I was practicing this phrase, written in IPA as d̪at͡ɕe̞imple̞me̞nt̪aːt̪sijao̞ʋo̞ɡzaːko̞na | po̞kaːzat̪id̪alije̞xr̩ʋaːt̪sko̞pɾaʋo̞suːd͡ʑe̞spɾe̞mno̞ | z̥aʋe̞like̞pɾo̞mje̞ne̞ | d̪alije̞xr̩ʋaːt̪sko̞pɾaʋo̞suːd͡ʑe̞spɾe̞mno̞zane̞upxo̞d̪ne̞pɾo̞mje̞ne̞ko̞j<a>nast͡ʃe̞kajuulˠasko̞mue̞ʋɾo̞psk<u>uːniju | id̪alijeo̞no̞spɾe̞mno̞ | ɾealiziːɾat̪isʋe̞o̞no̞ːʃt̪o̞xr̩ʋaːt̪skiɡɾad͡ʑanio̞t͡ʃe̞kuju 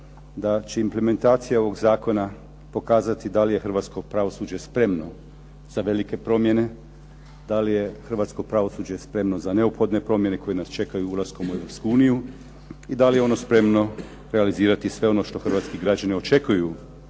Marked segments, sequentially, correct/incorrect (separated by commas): incorrect, correct